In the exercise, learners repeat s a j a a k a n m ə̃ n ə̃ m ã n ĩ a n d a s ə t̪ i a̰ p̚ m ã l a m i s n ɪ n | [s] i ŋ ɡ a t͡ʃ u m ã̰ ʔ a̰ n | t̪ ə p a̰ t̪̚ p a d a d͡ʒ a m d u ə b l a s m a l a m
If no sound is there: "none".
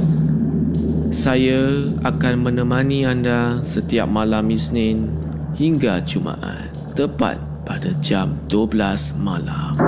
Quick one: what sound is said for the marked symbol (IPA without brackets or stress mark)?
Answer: h